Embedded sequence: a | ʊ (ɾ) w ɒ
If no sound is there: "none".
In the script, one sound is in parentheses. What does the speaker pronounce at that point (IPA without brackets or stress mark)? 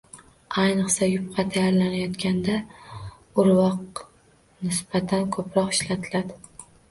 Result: ɾ